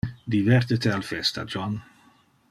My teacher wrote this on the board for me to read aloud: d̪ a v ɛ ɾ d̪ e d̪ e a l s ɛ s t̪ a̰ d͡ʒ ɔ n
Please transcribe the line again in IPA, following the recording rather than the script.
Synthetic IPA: d̪ i v ɛ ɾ t̪ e t̪ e a l f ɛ s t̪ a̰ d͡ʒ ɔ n